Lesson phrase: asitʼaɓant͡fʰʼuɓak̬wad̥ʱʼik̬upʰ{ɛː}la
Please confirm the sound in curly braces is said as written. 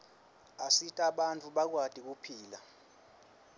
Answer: no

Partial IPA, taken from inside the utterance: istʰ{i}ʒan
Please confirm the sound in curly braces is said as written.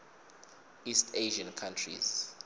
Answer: no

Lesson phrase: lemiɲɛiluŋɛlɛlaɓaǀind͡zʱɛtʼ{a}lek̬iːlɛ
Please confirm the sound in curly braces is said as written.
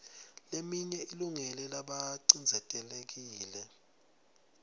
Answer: no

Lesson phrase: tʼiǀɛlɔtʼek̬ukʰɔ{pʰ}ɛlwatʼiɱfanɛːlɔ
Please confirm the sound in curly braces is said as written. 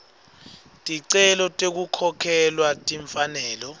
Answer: no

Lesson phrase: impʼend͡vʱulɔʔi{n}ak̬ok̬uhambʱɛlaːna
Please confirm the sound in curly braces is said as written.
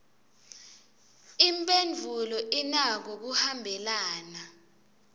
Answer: yes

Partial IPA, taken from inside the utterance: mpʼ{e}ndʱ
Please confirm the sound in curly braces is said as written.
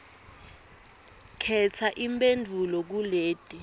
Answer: yes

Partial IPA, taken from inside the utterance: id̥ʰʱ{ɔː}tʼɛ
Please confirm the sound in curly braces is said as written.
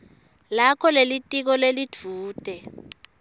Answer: no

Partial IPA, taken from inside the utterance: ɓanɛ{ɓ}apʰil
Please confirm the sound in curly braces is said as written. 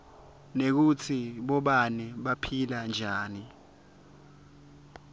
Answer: yes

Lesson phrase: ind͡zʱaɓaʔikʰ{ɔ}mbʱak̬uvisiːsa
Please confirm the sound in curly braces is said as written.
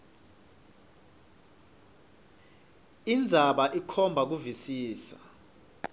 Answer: yes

